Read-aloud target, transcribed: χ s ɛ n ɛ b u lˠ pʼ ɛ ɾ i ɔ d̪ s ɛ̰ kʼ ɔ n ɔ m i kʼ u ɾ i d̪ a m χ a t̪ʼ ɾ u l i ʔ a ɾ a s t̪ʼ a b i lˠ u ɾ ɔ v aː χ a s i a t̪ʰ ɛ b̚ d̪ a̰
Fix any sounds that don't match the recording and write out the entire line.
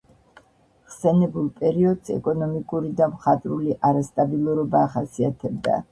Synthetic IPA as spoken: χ s ɛ n ɛ b u lˠ pʼ ɛ ɾ i ɔ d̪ s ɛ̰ kʼ ɔ n ɔ m i kʼ u ɾ i d̪ a m χ a t̪ʼ ɾ u l i ʔ a ɾ a s t̪ʼ a b i lˠ u ɾ ɔ b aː χ a s i a t̪ʰ ɛ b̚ d̪ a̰